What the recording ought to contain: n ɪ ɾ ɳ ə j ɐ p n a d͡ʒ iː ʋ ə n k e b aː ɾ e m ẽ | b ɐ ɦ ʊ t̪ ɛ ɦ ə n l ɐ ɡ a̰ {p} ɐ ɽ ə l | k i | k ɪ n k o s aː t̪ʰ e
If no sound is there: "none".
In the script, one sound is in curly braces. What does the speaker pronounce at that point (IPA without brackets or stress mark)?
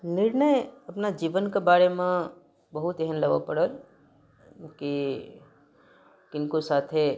p